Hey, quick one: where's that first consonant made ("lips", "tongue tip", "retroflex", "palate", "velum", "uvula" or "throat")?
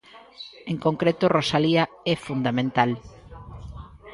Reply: velum